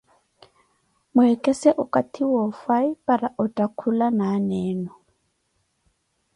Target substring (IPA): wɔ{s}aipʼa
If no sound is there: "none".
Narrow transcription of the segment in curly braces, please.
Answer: f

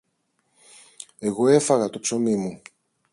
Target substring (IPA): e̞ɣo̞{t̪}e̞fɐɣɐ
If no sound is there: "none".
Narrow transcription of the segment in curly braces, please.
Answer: none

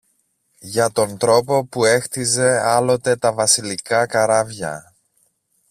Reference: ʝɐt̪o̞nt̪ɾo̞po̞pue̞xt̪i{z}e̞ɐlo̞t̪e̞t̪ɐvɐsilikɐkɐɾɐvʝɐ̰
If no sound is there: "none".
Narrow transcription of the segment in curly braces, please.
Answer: z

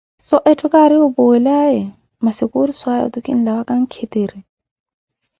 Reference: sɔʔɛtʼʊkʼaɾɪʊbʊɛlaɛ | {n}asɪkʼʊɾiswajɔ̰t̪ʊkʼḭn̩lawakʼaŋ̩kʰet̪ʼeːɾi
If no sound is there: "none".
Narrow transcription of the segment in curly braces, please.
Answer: m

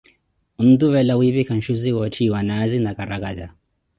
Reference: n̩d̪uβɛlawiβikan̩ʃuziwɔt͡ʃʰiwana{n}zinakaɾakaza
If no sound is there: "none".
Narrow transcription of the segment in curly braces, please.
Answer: none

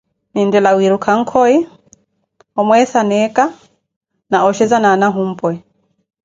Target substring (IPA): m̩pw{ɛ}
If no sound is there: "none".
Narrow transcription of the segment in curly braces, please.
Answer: ɛ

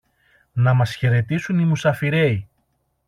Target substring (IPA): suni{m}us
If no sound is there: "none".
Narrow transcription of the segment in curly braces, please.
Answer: m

